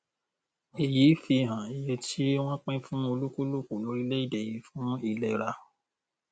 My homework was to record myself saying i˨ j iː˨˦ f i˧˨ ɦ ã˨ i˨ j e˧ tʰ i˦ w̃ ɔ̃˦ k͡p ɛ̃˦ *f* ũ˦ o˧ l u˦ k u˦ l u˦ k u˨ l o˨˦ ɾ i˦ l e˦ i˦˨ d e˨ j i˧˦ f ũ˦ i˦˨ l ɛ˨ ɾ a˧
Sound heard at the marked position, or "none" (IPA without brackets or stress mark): f